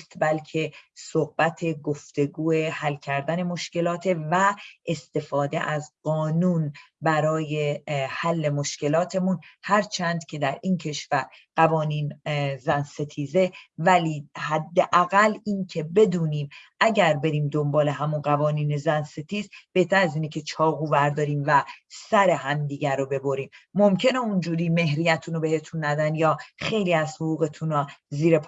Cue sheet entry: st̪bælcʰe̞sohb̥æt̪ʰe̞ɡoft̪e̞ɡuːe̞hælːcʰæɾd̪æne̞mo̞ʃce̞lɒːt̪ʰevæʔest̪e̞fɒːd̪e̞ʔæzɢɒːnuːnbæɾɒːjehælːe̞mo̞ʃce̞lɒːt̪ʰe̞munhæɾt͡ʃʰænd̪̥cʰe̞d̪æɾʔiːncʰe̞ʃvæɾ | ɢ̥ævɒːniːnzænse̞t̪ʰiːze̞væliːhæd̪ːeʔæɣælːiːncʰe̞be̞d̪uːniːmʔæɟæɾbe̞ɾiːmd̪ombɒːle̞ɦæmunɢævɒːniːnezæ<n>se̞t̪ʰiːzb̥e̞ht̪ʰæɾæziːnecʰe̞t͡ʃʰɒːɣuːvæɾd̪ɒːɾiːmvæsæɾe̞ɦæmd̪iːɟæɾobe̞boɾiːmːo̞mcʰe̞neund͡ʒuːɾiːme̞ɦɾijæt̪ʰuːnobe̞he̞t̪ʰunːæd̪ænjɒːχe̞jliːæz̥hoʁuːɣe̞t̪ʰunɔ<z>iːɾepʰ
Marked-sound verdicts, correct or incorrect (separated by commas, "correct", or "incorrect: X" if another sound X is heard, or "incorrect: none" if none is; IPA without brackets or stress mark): correct, correct